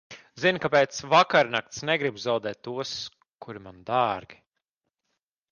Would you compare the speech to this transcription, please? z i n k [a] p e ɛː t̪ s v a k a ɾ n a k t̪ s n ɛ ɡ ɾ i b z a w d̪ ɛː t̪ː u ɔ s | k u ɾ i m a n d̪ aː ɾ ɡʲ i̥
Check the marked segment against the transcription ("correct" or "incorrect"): correct